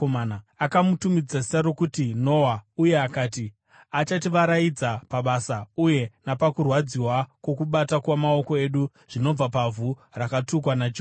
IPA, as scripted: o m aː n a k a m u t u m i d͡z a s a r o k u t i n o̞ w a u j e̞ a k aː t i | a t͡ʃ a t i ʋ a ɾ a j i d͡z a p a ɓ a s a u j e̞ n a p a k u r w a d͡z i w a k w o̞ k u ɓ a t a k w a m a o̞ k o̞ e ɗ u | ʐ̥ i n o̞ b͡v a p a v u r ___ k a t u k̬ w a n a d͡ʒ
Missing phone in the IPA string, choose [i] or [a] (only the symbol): a